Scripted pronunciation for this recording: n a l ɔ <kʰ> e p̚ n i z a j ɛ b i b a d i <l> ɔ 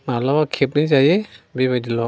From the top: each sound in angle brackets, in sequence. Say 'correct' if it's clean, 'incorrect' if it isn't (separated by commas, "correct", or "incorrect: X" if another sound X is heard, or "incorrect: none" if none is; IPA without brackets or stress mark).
correct, correct